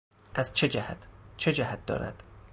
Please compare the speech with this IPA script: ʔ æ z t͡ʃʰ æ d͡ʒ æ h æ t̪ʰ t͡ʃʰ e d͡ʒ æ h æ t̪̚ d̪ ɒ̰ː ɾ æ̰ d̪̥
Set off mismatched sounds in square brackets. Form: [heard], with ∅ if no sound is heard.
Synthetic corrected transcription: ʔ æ z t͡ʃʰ [e] d͡ʒ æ h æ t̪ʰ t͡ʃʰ e d͡ʒ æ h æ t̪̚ d̪ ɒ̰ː ɾ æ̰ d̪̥

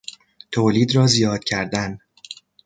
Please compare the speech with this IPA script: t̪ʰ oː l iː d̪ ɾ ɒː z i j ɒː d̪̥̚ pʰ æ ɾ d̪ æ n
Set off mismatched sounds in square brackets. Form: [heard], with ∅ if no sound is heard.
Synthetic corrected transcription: t̪ʰ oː l iː d̪ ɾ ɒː z i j ɒː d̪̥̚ [cʰ] æ ɾ d̪ æ n

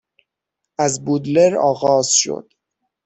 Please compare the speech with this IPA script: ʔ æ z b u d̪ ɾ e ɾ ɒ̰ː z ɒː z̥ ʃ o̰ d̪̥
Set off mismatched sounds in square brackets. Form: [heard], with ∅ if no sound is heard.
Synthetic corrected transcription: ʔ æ z b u d̪ [l] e ɾ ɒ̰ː [ɣ] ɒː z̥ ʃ o̰ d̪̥

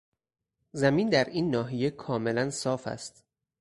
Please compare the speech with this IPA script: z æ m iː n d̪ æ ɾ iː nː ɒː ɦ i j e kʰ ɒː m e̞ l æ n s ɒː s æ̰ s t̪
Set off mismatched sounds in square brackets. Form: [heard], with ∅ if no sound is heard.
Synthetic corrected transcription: z æ m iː n d̪ æ ɾ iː nː ɒː ɦ i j e kʰ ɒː m e̞ l æ n s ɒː [f] æ̰ s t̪

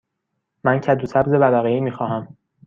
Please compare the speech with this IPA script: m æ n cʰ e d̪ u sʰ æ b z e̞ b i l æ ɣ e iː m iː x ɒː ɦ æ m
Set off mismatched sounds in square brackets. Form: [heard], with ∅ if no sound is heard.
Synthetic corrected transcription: m æ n cʰ [æ] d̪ u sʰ æ b z e̞ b [æ] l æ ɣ e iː m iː x ɒː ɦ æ m

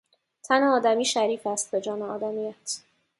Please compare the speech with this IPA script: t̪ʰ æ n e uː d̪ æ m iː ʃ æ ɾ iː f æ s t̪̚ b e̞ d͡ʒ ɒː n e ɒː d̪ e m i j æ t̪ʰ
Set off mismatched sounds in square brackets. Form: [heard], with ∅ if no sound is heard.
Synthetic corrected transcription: t̪ʰ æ n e [ɒː] d̪ æ m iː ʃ æ ɾ iː f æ s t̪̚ b e̞ d͡ʒ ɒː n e ɒː d̪ [æ] m i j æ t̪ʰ

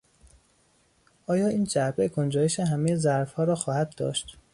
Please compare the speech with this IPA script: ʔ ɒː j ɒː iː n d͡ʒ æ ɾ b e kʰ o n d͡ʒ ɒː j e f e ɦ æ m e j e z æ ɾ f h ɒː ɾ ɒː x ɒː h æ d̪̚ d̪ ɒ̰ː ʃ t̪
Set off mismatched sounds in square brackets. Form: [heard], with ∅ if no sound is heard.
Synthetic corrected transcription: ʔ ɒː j ɒː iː n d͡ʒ æ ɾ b e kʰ o n d͡ʒ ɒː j e [ʃ] e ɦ æ m e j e z æ ɾ f h ɒː ɾ ɒː x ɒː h æ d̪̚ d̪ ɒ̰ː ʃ t̪

